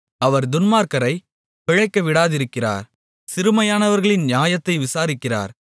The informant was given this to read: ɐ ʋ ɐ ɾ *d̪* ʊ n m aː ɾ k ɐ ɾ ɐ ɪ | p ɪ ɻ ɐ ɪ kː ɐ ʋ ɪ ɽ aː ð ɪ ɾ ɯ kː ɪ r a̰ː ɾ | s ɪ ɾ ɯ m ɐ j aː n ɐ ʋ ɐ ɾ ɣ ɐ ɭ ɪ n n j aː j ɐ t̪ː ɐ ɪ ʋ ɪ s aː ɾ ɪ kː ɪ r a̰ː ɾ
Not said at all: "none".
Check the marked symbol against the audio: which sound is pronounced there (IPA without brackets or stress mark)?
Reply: d̪